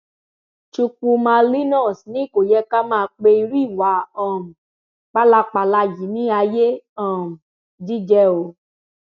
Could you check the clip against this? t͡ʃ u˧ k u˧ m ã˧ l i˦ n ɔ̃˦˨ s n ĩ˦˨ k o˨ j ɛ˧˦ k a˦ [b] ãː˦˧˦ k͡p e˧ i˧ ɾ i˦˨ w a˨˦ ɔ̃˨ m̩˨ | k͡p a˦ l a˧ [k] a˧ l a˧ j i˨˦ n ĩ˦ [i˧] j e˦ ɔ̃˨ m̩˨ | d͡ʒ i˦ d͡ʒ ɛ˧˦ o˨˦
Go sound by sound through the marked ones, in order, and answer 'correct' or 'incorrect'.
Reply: incorrect, incorrect, incorrect

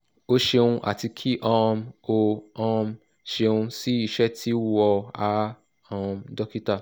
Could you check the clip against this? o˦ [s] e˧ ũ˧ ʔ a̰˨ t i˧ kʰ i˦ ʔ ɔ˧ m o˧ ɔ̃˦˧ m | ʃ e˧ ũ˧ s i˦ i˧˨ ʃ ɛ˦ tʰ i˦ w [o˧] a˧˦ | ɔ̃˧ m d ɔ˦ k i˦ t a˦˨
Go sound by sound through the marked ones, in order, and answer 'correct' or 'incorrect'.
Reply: incorrect, incorrect

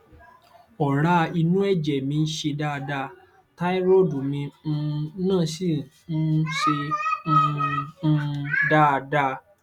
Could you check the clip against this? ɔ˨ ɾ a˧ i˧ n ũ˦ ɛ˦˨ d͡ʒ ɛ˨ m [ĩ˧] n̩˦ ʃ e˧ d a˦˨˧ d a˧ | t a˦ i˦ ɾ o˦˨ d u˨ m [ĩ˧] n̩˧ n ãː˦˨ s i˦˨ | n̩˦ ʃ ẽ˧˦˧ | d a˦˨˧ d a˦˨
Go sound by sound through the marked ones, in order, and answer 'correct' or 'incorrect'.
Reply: correct, correct

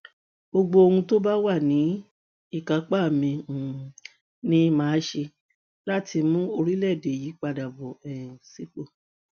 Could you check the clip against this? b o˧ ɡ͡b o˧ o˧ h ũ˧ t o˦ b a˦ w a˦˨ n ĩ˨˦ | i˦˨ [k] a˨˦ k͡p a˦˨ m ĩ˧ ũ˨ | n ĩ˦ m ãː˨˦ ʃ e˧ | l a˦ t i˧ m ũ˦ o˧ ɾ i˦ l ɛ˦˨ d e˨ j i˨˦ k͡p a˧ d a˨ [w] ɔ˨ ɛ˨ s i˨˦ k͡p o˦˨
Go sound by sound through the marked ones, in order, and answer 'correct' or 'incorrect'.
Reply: correct, incorrect

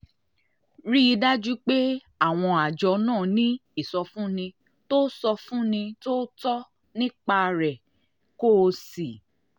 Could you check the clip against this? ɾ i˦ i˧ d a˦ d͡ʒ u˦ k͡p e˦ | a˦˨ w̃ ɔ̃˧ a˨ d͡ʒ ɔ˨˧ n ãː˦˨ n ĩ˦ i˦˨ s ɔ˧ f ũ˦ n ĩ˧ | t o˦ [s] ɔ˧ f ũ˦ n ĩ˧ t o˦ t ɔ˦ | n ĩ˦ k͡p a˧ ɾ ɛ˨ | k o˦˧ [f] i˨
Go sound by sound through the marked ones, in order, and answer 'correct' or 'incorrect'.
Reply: correct, incorrect

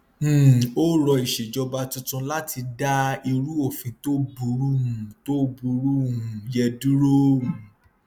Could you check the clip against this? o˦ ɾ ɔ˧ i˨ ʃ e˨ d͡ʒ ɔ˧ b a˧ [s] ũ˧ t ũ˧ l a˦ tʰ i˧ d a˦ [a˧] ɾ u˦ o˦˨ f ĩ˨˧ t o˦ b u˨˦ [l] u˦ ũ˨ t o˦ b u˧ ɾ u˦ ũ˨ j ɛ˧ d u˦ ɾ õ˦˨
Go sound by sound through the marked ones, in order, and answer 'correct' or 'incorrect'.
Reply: incorrect, incorrect, incorrect

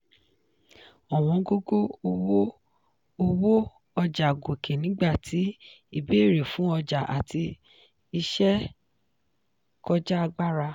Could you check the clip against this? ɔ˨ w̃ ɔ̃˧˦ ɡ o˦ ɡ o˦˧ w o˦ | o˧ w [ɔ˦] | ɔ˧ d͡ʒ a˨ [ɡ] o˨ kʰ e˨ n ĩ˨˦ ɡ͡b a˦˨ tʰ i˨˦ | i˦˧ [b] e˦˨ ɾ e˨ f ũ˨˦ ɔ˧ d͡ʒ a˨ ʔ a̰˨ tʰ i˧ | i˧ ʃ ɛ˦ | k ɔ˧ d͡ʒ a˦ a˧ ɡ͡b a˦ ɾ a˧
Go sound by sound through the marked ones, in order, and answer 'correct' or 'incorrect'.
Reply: incorrect, correct, correct

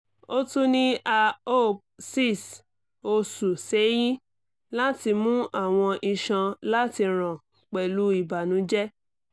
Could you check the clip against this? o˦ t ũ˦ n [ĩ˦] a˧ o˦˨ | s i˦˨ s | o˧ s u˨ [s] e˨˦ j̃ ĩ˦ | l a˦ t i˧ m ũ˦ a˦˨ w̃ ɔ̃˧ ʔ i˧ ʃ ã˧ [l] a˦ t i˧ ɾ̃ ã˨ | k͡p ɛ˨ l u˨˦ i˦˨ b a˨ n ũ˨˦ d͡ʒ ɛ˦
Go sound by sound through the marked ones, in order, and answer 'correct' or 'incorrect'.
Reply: correct, correct, correct

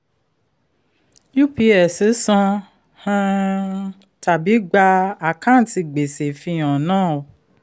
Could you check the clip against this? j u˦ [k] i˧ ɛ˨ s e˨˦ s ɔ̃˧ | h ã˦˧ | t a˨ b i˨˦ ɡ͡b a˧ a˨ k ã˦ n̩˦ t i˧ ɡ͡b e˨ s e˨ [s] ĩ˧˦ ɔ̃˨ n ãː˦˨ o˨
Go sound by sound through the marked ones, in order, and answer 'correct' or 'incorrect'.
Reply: incorrect, incorrect

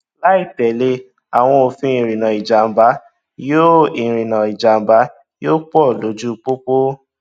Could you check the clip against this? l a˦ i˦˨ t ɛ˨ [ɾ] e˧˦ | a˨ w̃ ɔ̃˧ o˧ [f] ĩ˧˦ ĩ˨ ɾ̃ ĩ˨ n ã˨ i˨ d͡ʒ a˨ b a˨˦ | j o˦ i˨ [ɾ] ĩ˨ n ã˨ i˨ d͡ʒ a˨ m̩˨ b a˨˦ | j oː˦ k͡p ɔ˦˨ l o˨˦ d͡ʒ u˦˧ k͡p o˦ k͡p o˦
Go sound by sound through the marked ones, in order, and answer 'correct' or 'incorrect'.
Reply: incorrect, correct, correct

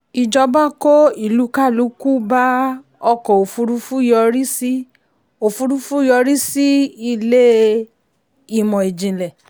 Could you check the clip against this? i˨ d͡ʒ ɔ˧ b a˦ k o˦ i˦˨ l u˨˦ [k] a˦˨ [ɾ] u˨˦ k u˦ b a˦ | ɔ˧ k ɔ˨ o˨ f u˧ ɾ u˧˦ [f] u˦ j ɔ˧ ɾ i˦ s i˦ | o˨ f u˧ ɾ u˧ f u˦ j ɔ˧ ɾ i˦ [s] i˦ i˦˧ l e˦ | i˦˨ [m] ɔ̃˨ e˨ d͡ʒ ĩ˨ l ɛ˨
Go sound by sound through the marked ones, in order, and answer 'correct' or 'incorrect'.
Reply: correct, incorrect, correct, correct, correct

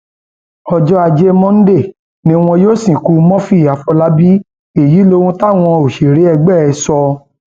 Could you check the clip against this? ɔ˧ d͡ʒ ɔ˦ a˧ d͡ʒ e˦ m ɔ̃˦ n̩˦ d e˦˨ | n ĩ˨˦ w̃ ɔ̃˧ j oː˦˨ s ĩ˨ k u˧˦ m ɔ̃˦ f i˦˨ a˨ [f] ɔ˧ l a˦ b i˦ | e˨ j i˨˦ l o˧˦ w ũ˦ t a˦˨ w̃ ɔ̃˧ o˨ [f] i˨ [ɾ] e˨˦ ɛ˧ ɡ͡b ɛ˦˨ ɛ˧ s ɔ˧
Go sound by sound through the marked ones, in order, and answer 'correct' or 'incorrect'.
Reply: correct, incorrect, correct

